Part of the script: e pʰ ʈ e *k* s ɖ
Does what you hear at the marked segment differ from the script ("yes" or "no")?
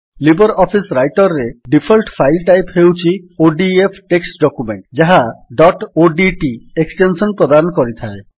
no